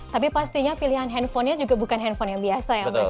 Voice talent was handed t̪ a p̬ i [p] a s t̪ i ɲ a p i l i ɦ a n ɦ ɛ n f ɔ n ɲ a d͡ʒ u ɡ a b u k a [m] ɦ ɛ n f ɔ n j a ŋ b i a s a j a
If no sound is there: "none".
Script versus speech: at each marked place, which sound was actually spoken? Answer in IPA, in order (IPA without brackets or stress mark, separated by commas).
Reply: p, n